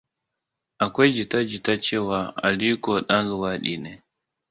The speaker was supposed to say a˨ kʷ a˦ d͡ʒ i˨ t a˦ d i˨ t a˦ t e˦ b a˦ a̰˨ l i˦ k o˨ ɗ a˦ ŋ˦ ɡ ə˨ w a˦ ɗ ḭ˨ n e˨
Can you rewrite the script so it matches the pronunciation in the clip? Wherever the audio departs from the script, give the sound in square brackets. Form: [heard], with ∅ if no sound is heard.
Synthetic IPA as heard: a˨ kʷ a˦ d͡ʒ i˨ t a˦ [d͡ʒ] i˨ t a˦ [t͡ʃ] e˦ [w] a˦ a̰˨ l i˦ k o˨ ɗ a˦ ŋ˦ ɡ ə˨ w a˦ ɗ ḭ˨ n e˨